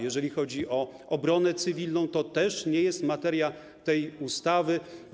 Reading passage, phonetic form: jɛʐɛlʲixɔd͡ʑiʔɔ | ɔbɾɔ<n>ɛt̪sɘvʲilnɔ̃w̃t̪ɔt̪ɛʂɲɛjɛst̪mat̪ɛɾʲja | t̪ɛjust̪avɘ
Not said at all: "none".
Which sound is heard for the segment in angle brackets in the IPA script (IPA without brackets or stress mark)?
n